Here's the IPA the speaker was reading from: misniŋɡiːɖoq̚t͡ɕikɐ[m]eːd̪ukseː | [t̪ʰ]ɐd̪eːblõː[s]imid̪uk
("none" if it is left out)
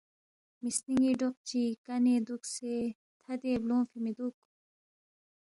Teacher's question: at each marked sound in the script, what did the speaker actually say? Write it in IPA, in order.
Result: n, t̪ʰ, f

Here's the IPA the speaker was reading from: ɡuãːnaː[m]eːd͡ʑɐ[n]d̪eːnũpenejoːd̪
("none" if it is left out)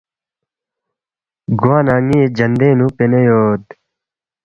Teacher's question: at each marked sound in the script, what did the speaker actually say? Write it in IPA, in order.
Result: ŋ, n

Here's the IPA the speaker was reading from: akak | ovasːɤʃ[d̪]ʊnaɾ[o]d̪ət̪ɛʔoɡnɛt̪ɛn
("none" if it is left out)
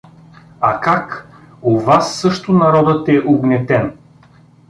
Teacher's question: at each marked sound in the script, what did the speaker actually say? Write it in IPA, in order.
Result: t̪, ɔ

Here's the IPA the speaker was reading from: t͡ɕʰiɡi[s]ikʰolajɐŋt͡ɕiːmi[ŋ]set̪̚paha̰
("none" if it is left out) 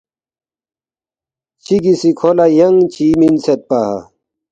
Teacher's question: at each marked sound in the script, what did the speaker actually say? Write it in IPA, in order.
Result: s, n

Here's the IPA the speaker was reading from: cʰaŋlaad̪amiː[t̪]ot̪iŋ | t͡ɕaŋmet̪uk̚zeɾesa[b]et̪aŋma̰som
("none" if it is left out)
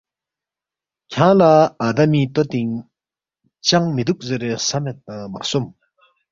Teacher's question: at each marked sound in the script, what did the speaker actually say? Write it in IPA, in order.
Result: t̪, m

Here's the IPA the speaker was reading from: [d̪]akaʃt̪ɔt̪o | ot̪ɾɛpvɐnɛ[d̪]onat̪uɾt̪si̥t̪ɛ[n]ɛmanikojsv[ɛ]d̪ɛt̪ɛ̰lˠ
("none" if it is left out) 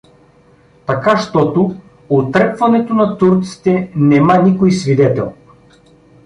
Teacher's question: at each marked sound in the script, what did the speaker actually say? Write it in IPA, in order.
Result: t̪, t̪, n, i

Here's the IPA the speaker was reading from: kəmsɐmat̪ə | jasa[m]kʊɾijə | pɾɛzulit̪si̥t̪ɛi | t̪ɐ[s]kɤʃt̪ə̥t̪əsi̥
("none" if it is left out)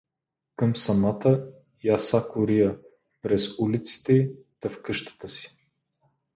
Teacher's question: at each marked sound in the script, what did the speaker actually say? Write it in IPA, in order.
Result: none, f

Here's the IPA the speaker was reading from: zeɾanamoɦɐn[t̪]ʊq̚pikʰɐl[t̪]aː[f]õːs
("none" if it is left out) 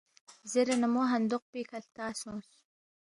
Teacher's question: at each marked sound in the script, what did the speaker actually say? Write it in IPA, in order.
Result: d̪, t̪, s

